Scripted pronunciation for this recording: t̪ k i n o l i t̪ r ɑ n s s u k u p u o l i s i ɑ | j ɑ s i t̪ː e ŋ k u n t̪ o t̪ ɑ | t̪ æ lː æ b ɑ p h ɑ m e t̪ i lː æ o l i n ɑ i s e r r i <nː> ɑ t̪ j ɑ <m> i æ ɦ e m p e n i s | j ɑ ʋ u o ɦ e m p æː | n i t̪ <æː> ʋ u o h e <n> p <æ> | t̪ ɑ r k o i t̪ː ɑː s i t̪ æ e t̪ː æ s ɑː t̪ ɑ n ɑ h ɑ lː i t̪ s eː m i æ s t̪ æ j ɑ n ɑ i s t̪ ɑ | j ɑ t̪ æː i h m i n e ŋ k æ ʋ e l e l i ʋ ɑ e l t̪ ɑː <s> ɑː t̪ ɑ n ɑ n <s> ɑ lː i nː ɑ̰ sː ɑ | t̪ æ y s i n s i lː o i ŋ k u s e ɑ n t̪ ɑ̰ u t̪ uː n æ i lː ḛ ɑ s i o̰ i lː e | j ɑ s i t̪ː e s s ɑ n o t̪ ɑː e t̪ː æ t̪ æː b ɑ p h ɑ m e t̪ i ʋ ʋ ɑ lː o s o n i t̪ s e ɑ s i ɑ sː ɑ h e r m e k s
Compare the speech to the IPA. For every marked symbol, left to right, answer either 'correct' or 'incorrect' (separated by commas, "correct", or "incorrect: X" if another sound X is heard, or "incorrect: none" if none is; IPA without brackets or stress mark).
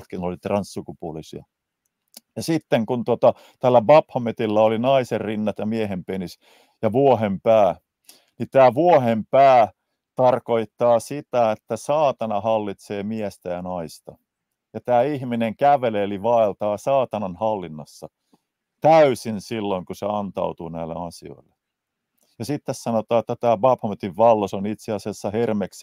correct, correct, correct, incorrect: m, incorrect: æː, correct, incorrect: h